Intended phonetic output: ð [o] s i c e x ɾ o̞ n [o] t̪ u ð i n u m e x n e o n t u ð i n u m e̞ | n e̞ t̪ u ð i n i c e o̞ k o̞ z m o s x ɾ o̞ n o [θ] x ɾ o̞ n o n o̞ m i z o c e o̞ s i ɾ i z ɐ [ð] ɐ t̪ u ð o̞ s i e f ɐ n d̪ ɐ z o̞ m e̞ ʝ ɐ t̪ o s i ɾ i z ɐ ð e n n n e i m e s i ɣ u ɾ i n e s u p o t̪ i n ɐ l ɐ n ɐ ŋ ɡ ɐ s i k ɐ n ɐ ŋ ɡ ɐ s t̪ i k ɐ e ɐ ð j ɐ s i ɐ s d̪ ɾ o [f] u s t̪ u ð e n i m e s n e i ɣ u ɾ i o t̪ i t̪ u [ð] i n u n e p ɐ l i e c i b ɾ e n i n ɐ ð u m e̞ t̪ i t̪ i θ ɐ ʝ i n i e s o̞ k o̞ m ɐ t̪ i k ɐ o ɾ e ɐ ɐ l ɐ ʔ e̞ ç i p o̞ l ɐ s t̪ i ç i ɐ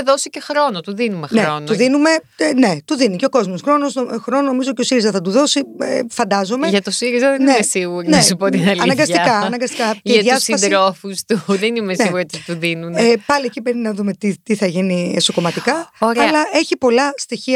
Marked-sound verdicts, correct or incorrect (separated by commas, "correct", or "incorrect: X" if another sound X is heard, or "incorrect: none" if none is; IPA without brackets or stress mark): correct, correct, incorrect: s, incorrect: θ, correct, correct